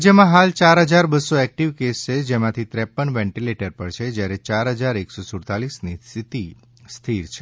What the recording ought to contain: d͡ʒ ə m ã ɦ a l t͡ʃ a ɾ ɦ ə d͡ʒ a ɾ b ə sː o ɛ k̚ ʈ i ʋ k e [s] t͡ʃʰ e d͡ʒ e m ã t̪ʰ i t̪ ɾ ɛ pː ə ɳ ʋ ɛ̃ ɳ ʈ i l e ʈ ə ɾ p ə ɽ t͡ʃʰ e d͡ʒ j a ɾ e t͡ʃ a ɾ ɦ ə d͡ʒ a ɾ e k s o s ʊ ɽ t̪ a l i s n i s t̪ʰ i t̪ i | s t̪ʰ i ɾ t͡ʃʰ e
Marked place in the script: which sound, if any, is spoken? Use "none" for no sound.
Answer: s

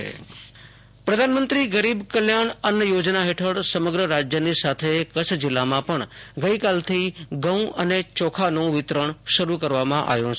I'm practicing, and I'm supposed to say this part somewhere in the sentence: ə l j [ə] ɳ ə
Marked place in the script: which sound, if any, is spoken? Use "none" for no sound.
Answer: a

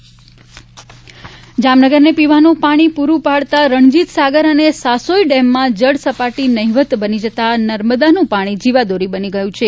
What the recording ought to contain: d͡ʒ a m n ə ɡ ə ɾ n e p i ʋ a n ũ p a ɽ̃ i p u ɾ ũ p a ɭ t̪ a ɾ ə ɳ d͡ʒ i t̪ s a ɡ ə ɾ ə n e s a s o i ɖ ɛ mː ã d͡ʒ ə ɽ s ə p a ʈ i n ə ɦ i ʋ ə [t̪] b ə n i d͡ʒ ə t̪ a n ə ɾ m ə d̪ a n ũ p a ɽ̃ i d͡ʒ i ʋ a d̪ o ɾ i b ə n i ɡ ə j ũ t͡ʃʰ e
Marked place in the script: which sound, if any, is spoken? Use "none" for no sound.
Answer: t̪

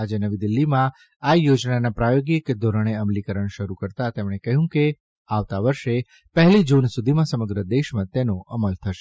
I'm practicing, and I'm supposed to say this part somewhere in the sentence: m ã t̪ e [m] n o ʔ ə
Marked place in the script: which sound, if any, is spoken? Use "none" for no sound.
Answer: none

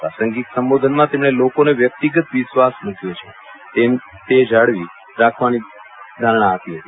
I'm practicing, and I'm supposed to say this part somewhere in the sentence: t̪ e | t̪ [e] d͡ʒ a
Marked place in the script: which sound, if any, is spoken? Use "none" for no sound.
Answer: e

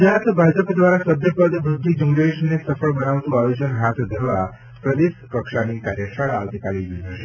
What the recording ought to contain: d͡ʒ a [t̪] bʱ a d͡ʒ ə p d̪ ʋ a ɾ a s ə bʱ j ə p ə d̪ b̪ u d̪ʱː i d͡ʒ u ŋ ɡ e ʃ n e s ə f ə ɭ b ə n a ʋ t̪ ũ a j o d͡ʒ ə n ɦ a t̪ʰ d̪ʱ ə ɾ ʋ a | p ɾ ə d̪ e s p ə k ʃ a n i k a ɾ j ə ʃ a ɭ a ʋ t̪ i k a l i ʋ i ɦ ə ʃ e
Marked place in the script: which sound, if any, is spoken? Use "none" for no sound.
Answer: t̪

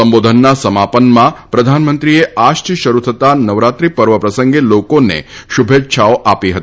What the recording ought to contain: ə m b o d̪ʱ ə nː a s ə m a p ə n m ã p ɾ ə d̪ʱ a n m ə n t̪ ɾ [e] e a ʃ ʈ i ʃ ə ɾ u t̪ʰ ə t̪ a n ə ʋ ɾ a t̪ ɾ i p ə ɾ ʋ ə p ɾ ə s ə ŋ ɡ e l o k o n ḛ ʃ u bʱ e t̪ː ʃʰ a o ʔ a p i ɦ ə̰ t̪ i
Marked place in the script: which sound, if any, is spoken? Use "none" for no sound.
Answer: i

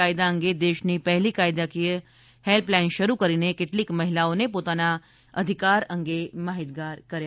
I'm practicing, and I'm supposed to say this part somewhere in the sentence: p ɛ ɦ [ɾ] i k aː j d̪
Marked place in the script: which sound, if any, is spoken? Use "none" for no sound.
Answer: l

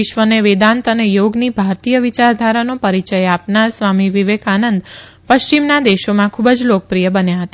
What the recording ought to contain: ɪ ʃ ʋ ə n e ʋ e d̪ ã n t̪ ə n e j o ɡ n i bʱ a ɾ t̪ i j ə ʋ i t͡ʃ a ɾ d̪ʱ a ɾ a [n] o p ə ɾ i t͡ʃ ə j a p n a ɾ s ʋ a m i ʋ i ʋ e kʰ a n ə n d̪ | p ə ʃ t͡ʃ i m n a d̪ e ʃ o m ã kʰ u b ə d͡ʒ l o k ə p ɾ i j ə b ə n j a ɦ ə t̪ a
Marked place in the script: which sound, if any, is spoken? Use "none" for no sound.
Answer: n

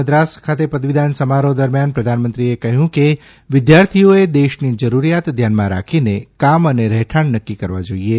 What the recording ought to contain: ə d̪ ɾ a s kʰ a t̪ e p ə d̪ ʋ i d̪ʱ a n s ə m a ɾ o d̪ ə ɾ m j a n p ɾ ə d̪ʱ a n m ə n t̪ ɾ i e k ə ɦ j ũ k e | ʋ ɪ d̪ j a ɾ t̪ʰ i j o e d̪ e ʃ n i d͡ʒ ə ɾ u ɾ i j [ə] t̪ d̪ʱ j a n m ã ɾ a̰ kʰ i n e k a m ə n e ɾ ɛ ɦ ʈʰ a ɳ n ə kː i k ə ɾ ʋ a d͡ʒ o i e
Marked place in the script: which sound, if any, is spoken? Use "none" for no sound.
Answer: a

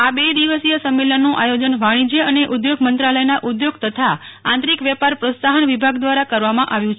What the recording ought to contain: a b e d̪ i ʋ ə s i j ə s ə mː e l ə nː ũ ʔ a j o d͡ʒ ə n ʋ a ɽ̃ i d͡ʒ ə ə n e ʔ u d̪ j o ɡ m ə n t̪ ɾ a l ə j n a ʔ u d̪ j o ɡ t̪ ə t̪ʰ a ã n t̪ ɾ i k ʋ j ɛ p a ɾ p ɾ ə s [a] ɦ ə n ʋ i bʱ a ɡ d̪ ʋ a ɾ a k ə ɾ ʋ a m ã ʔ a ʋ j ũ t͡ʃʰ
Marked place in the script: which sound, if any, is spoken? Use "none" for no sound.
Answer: a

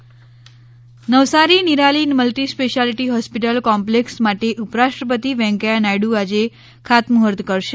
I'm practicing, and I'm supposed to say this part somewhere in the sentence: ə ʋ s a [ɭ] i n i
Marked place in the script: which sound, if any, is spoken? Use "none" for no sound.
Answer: ɾ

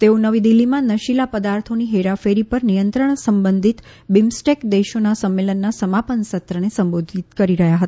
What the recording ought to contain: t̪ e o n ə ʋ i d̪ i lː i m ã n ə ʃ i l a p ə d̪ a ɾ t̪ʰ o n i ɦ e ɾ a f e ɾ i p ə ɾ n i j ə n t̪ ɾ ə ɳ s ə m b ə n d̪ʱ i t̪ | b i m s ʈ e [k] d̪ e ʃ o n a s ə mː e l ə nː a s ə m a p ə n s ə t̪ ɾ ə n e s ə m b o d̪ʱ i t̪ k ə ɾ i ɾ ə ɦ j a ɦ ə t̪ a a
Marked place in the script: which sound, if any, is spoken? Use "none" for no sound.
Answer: k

